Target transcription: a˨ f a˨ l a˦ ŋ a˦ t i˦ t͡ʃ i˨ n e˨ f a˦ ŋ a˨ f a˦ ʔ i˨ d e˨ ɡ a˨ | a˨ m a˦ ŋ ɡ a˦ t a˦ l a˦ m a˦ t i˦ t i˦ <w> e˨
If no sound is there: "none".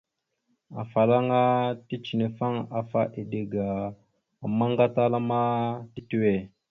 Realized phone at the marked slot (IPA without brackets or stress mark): w